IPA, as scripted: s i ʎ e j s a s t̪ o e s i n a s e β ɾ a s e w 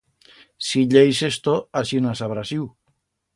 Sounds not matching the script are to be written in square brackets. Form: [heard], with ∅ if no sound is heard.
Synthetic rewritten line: s i ʎ e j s [e] s t̪ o [a] s i n a s [a] β ɾ a s [i] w

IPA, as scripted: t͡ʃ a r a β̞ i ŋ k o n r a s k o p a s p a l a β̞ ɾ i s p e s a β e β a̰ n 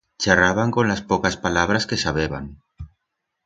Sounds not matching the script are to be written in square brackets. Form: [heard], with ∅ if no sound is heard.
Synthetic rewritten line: t͡ʃ a r a β̞ [a] ŋ k o n [l] a s [p] o [k] a s p a l a β̞ ɾ [a] s [k] e s a β e β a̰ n

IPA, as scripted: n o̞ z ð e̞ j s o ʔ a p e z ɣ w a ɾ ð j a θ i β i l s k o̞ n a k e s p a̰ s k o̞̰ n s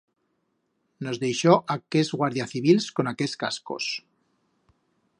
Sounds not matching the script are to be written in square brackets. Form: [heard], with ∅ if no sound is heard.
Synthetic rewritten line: n o̞ z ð e̞ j [ʃ] o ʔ a [k] e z ɣ w a ɾ ð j a θ i β i l s k o̞ n a k e s [k] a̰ s k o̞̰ [∅] s

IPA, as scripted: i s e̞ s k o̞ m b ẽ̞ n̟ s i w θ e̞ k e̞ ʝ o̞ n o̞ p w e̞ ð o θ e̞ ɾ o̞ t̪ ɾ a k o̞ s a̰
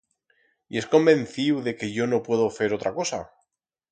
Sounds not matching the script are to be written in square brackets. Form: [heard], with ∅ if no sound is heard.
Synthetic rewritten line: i [∅] e̞ s k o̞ m b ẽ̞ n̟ [θ] i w [ð] e̞ k e̞ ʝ o̞ n o̞ p w e̞ ð o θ e̞ ɾ o̞ t̪ ɾ a k o̞ s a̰

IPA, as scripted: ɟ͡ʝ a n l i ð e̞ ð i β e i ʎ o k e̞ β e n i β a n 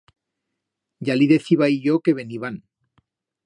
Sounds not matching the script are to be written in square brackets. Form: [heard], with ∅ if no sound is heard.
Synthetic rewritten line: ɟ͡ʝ a [∅] l i ð e̞ [θ] i β [a] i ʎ o k e̞ β e n i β a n

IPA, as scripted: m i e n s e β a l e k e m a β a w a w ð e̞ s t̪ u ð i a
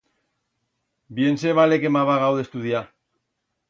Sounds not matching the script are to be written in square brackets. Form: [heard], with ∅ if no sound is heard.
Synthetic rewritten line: [b] i e n s e β a l e k e m a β a [ɣ] a w ð e̞ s t̪ u ð i a

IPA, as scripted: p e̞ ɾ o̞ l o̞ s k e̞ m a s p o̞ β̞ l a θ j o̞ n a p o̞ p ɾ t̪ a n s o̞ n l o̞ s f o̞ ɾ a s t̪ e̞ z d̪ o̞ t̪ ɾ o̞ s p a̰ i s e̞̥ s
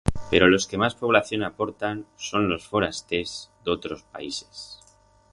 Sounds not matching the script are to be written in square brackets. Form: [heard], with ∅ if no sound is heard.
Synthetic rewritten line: p e̞ ɾ o̞ l o̞ s k e̞ m a s p o̞ β̞ l a θ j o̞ n a p o̞ [∅] ɾ t̪ a n s o̞ n l o̞ s f o̞ ɾ a s t̪ e̞ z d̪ o̞ t̪ ɾ o̞ s p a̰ i s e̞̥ s

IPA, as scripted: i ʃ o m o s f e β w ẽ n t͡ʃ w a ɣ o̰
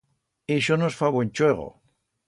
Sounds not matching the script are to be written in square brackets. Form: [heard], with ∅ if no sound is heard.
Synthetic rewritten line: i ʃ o [n] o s f [a] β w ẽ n t͡ʃ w [e] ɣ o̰

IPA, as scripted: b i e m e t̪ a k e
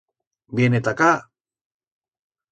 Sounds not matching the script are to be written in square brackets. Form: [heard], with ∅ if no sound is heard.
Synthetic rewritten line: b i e [n] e t̪ a k [a]

